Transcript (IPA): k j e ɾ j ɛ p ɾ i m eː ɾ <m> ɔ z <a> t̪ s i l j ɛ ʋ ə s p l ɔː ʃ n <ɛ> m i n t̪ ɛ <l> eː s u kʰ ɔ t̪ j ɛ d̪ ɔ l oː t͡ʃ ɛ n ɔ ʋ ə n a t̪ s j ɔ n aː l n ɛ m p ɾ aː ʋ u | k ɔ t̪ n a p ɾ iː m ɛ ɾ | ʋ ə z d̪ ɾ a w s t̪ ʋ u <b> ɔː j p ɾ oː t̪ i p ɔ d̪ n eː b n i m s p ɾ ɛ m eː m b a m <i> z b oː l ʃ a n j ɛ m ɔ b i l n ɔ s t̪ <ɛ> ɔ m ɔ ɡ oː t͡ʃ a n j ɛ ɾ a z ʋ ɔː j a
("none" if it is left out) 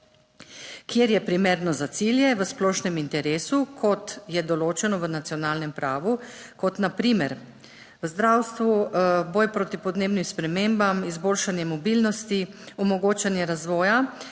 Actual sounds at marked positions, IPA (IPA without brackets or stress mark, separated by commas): n, a, ɛ, ɾ, b, i, i